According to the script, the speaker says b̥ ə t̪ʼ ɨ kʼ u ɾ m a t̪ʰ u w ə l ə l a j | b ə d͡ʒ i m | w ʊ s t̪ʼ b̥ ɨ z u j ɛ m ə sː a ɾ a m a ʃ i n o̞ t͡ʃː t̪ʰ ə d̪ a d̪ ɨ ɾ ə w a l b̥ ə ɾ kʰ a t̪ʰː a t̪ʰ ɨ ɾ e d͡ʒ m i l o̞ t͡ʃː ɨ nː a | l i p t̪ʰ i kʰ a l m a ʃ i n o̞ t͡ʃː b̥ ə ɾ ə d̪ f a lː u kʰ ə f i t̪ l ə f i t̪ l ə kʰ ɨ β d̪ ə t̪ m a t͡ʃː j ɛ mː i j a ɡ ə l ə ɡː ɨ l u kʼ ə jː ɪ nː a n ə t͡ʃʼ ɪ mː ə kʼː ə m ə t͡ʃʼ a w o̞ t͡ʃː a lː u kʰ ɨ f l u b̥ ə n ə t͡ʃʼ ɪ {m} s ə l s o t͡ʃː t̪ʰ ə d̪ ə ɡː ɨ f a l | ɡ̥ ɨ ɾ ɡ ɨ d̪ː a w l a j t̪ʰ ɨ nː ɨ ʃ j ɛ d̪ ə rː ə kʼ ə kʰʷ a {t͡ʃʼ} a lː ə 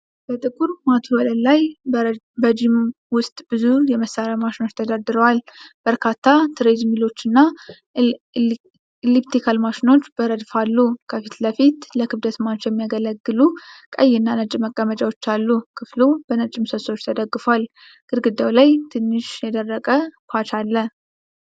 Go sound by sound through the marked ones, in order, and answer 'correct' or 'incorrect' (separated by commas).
correct, incorrect